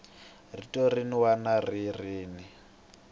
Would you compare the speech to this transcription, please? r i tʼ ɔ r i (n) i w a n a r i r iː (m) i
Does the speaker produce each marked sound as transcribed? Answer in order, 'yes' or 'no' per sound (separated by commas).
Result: yes, no